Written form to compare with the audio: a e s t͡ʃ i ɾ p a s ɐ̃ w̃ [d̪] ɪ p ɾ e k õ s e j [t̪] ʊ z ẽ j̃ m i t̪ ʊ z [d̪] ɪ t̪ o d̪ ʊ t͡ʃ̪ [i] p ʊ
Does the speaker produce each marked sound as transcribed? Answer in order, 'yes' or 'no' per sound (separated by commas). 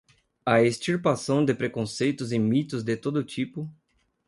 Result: yes, yes, yes, yes